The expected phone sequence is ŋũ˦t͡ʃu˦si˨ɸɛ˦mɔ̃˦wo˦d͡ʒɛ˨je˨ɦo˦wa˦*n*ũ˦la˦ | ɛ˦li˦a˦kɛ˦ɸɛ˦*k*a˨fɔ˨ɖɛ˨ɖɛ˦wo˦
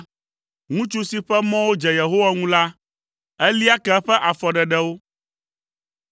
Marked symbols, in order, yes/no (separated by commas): no, no